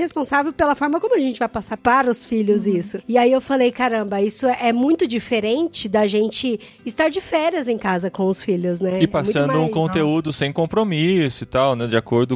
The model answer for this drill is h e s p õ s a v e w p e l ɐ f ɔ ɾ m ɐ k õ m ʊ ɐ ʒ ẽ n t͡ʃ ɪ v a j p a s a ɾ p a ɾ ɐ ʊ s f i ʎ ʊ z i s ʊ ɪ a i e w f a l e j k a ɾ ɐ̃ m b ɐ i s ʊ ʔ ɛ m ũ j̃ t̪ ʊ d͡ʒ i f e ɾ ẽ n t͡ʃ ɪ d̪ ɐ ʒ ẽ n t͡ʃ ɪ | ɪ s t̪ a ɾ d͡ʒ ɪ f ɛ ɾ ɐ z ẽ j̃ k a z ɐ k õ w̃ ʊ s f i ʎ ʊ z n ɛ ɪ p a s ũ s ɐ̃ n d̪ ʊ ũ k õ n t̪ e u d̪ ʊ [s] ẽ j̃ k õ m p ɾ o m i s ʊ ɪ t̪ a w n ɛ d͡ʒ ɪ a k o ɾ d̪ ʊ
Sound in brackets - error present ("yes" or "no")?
no